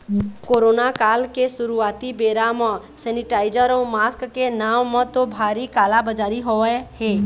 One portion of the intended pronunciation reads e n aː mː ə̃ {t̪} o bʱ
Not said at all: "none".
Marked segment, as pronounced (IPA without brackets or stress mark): t̪